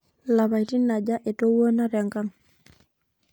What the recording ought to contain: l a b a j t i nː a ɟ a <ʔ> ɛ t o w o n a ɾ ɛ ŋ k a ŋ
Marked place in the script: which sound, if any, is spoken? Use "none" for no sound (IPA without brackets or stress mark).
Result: ʔ